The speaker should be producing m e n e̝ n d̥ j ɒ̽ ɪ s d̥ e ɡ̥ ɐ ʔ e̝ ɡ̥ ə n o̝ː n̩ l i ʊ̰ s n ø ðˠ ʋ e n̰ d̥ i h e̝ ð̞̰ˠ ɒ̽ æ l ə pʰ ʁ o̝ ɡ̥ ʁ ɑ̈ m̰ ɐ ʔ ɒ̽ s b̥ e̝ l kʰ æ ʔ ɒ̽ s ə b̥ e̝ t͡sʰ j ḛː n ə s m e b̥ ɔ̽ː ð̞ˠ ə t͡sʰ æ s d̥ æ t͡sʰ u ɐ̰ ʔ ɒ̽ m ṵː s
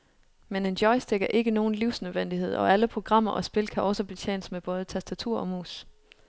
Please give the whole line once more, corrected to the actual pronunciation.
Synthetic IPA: m e n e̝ n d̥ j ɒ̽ ɪ s d̥ e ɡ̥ ɐ ʔ e̝ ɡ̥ ə n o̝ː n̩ l i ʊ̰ s n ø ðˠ ʋ e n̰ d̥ i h e̝ ð̞̰ˠ ɒ̽ æ l ə pʰ ʁ o̝ ɡ̥ ʁ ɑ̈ m̰ ɐ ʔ ɒ̽ s b̥ e̝ l kʰ æ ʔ ɒ̽ s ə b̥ e̝ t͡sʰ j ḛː n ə s m e b̥ ɔ̽ː ð̞ˠ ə t͡sʰ æ s d̥ æ t͡sʰ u ɐ̰ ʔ ɒ̽ m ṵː s